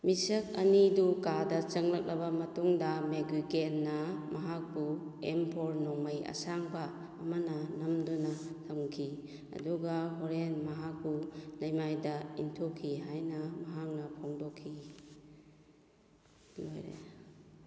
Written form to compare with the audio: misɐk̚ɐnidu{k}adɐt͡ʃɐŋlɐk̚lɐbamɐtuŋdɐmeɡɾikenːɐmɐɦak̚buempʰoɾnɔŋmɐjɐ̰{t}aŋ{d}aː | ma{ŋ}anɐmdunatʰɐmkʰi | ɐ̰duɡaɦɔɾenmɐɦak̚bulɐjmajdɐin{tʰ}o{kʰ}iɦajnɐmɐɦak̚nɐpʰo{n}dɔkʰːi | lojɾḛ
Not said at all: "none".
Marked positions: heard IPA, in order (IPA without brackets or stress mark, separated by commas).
k, s, b, n, tʰ, kʰ, ŋ